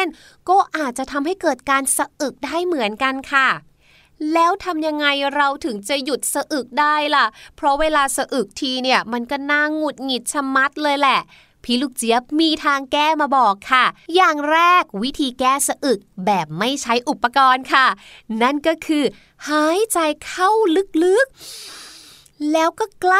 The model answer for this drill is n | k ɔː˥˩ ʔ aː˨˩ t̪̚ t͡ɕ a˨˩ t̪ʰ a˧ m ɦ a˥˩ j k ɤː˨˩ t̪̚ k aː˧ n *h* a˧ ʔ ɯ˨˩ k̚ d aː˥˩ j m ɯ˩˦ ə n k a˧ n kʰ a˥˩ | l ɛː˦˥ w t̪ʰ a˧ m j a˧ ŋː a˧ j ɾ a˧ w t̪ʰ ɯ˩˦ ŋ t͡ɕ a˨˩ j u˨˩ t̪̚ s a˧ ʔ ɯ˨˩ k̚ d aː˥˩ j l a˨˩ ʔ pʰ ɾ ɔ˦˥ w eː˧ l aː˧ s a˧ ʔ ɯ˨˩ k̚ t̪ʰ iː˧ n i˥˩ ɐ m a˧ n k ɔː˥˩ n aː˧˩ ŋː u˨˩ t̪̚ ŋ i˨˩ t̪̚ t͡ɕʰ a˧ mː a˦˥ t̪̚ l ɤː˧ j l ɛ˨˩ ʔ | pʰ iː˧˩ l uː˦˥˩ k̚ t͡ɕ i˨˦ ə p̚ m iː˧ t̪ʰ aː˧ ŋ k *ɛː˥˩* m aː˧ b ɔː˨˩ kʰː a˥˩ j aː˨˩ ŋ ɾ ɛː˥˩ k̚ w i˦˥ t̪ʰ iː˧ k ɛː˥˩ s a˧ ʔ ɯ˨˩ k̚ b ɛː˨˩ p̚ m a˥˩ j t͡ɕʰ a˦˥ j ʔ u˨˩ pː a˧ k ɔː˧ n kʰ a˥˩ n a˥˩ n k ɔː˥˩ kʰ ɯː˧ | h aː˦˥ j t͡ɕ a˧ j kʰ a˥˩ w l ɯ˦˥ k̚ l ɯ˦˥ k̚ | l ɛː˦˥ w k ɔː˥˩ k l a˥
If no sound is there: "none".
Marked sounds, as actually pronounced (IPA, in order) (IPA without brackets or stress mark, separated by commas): s, ɛː˥˩